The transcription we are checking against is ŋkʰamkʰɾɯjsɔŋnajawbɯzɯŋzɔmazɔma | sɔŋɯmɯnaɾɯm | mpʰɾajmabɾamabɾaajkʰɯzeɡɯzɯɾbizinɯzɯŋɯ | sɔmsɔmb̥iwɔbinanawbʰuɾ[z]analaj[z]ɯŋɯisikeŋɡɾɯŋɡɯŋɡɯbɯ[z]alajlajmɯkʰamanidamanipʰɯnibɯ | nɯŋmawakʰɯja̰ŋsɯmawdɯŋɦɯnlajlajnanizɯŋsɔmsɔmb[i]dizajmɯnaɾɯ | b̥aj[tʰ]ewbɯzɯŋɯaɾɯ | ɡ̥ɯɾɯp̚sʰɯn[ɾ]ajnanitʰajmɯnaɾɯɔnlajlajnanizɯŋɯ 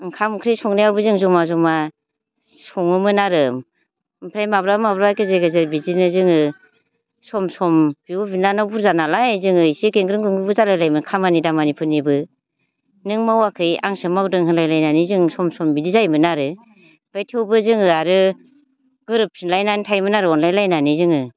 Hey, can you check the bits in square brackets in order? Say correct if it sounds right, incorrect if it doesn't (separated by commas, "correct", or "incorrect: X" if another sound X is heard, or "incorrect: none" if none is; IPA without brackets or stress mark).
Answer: correct, correct, correct, correct, correct, incorrect: l